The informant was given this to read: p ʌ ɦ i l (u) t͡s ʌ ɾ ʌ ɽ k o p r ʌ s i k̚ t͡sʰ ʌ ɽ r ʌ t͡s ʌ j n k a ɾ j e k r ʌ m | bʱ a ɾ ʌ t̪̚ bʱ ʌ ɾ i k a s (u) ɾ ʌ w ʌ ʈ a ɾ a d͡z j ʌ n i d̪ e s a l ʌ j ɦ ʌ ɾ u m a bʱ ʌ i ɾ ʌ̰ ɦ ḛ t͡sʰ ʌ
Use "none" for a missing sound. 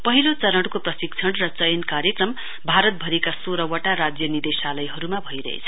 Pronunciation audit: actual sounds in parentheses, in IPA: o, o

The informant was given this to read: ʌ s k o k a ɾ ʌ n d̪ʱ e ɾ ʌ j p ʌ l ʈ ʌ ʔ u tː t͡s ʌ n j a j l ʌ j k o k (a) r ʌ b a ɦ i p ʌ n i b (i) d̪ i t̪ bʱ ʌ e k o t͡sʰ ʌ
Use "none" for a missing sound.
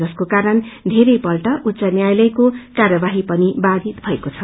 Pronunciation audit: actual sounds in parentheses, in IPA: a, a

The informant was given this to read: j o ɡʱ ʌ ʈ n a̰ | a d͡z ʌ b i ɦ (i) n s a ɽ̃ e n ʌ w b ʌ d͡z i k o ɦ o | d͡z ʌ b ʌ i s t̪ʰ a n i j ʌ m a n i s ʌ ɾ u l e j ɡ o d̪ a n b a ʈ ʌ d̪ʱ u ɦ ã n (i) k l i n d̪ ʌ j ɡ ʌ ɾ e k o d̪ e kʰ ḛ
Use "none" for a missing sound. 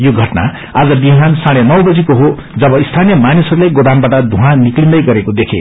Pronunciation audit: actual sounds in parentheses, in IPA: a, i

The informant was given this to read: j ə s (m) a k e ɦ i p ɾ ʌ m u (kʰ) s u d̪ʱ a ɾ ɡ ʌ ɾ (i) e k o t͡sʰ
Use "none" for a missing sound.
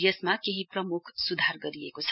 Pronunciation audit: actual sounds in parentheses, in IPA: m, kʰ, i

